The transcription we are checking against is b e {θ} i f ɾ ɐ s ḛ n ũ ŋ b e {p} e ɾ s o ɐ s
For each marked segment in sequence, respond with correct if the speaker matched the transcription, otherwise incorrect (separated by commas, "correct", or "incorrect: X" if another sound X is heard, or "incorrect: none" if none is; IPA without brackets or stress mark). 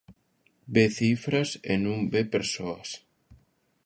correct, correct